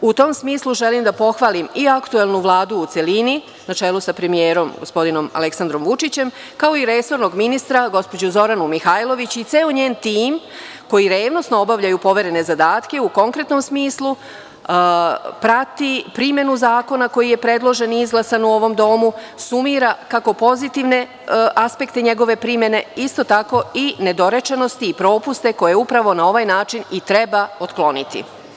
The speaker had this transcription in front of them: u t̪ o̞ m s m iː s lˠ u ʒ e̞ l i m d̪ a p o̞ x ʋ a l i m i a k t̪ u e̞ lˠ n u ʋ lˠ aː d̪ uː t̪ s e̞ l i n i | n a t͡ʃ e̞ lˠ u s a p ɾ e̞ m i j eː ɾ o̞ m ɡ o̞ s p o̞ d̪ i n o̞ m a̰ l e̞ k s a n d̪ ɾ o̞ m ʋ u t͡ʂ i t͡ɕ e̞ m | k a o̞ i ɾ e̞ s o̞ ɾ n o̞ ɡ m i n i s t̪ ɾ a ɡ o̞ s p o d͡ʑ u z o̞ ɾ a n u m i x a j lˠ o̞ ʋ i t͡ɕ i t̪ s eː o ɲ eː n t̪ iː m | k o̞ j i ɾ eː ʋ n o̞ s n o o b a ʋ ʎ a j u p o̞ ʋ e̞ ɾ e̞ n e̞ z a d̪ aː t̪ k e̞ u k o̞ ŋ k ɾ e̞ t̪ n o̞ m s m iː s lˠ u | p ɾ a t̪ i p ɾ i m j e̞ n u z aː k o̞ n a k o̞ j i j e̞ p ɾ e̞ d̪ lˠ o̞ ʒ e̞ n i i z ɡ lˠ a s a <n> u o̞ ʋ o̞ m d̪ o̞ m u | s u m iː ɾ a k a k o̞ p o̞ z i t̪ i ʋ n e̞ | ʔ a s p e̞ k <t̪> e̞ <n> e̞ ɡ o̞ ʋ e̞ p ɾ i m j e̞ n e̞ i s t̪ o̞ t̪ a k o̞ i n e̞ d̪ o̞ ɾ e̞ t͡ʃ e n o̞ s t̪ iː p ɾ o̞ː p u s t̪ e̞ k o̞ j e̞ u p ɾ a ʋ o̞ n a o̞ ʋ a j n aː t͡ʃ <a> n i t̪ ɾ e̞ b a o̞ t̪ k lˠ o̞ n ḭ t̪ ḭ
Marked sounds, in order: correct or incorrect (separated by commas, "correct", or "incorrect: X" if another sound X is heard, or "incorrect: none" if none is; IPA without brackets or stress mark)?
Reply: correct, correct, incorrect: ɲ, incorrect: i